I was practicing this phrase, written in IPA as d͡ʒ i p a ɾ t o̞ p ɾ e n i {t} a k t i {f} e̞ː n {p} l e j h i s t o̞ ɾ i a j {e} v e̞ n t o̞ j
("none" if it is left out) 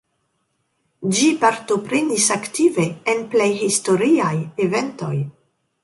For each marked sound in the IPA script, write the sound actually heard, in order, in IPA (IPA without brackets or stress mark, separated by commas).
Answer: s, v, p, e